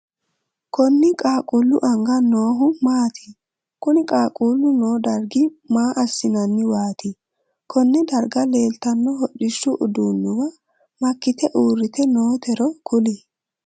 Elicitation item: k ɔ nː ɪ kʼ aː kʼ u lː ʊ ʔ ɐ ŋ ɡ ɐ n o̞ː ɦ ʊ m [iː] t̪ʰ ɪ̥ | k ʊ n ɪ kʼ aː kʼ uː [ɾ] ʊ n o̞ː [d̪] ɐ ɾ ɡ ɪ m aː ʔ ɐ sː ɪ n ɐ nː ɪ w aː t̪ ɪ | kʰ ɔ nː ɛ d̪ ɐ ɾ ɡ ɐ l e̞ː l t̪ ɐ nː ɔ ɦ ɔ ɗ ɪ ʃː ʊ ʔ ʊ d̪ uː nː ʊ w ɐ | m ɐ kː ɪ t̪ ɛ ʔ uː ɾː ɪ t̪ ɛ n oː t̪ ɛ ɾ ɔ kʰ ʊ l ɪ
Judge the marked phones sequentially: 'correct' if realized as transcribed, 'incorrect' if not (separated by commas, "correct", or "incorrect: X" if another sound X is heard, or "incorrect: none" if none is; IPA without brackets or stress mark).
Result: incorrect: aː, incorrect: l, correct